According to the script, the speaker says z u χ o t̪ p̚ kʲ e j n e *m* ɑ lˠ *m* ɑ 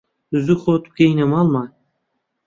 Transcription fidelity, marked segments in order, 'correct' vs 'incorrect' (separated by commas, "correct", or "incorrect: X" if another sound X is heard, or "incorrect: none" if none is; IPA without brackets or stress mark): correct, correct